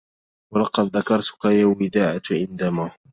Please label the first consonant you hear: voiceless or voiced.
voiced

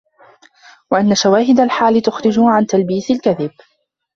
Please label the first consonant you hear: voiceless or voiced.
voiced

